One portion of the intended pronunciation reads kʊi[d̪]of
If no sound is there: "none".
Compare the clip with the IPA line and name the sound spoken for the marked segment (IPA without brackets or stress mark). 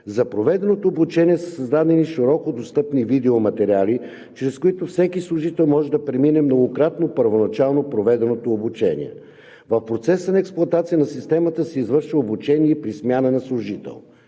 t̪